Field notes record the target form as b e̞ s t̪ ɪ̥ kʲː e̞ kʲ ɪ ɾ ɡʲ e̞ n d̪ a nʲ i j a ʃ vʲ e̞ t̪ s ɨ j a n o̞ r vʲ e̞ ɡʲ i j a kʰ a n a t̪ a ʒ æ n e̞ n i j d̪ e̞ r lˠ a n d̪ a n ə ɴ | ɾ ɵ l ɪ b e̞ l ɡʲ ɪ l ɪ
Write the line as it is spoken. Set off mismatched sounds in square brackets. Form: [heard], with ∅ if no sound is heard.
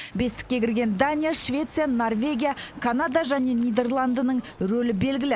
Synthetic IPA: b e̞ s t̪ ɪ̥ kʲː e̞ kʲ ɪ ɾ ɡʲ e̞ n d̪ a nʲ i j a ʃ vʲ e̞ t̪ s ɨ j a n o̞ r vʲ e̞ ɡʲ i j a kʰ a n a [d̪] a ʒ æ n e̞ n i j d̪ e̞ r lˠ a n d̪ [ə] n ə ɴ | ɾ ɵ l ɪ b e̞ l ɡʲ ɪ l ɪ